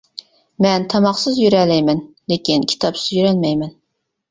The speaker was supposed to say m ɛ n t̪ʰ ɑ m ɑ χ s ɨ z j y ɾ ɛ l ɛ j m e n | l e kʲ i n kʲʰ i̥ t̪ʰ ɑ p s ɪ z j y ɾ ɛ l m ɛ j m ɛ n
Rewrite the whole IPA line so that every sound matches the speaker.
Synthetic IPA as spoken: m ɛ n t̪ʰ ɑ m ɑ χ s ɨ z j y ɾ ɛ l ɛ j m ɛ n | l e kʲ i n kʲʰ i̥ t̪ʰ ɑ p s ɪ z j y ɾ ɛ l m ɛ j m ɛ n